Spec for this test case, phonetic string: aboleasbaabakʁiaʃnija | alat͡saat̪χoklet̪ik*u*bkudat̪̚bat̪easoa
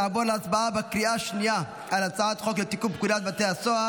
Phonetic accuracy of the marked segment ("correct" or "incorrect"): correct